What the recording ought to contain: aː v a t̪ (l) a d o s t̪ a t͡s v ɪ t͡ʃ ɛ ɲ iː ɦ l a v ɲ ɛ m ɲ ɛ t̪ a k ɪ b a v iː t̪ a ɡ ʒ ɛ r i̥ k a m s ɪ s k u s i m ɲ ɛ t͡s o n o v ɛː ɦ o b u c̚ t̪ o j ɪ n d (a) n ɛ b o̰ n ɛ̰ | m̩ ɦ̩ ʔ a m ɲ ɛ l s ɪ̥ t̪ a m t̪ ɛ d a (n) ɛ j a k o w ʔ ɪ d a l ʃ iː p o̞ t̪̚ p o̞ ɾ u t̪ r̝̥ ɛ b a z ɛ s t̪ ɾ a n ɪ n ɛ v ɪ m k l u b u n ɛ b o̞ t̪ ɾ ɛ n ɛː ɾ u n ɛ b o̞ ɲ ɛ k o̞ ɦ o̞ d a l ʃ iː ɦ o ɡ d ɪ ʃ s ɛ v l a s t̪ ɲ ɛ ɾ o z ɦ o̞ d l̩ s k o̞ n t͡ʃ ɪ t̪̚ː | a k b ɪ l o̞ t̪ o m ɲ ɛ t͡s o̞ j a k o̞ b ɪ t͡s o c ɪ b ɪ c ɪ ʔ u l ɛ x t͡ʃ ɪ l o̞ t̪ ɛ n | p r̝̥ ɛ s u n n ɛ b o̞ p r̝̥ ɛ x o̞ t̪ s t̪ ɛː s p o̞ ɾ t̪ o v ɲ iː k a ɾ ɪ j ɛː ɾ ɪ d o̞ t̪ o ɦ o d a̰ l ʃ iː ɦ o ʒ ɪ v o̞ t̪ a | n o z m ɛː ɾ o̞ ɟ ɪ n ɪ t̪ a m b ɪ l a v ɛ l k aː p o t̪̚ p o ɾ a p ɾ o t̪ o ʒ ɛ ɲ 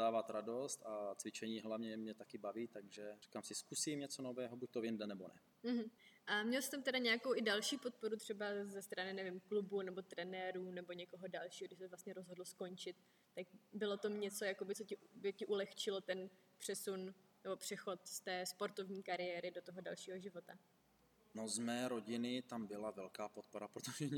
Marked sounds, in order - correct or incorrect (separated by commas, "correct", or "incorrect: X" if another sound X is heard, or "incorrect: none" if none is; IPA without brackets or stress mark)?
incorrect: ɾ, incorrect: ɛ, incorrect: ɲ